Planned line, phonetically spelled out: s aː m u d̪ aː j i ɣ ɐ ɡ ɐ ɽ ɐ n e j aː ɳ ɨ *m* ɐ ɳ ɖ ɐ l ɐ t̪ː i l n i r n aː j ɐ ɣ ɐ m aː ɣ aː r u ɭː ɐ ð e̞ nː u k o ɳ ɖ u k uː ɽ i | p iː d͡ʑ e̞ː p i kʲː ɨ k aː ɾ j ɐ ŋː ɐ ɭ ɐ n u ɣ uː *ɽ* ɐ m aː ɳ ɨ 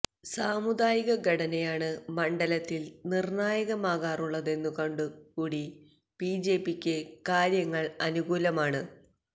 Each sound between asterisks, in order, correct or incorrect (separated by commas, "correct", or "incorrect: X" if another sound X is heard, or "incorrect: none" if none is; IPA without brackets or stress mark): correct, incorrect: l